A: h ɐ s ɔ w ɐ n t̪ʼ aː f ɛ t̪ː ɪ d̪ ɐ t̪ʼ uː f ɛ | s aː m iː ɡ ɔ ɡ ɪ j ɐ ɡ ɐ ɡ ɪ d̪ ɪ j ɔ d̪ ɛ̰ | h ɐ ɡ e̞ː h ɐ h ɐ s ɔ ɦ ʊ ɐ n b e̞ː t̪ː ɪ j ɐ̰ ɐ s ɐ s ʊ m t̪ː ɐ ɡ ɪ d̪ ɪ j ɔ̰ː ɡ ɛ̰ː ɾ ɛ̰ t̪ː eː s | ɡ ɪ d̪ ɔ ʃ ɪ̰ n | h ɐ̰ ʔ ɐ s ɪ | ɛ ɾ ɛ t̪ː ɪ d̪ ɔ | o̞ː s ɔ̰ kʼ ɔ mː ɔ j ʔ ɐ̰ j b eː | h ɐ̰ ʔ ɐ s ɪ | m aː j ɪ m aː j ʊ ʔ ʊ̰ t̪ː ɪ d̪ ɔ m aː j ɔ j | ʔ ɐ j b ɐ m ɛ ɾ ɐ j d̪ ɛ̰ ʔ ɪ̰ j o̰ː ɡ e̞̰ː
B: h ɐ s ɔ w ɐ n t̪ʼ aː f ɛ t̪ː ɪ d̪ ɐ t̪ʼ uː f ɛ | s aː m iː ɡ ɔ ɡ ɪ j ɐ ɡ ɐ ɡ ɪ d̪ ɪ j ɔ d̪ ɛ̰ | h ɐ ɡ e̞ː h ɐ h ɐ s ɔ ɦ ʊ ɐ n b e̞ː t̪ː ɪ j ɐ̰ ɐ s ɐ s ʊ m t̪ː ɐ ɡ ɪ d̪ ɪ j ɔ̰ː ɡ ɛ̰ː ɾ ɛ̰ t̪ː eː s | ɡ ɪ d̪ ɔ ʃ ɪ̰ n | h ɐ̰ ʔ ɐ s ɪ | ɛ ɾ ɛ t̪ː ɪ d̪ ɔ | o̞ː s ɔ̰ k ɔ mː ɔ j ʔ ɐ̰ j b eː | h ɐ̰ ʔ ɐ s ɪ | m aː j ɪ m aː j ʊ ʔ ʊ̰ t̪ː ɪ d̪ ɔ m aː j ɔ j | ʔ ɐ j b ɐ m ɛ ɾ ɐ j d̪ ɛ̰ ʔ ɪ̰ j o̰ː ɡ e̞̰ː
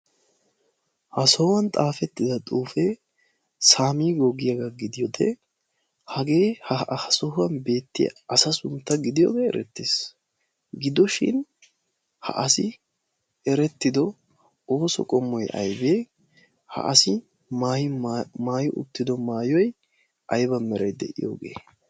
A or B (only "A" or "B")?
A